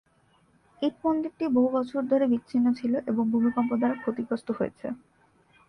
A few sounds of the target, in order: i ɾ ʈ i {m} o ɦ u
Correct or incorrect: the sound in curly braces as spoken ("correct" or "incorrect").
incorrect